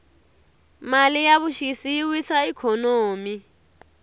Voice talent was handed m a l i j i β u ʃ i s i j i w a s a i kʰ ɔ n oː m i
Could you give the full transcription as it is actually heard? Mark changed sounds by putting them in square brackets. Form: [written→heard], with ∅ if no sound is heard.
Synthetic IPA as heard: m a l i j [i→a] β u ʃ i s i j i w [a→i] s a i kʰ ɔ n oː m i